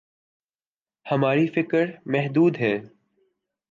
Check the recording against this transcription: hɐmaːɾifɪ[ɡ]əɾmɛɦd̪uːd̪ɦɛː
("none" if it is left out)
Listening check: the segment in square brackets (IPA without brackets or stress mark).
k